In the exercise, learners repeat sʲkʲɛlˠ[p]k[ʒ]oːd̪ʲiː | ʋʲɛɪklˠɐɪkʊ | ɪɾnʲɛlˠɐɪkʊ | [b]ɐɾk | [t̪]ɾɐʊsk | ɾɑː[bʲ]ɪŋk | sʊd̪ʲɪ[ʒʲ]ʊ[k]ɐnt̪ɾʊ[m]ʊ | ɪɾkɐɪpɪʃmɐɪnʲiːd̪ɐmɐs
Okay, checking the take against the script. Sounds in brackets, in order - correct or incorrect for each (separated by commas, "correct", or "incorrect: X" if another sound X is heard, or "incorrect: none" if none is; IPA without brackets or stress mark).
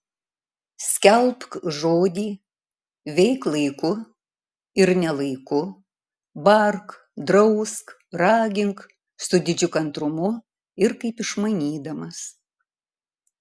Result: correct, correct, correct, incorrect: d̪, incorrect: ɡʲ, incorrect: d͡ʒʲ, correct, correct